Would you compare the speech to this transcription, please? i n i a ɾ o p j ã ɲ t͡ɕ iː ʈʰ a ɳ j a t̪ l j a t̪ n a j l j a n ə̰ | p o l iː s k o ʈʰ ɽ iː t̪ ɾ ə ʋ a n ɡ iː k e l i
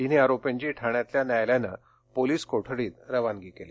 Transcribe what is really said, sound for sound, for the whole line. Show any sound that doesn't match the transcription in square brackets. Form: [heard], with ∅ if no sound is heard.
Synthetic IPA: i n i a ɾ o p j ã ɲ t͡ɕ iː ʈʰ a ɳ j a t̪ l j a [∅] n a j l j a n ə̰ | p o l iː s k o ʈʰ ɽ iː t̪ ɾ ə ʋ a n ɡ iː k e l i